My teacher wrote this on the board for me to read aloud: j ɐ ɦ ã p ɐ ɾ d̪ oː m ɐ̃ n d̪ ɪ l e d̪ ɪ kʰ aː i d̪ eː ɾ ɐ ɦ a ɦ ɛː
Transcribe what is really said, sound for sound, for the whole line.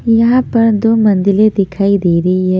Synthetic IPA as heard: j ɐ ɦ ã p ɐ ɾ d̪ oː m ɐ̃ n d̪ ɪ l e d̪ ɪ kʰ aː i d̪ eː ɾ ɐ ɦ i ɦ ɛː